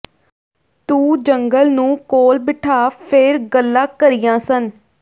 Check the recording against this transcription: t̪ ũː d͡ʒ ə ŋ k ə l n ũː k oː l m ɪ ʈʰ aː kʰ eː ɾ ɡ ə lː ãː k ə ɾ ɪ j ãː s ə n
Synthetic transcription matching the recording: t̪ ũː d͡ʒ ə ŋ ɡ ə l n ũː k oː l b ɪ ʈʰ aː pʰ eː ɾ ɡ ə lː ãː k ə ɾ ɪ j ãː s ə n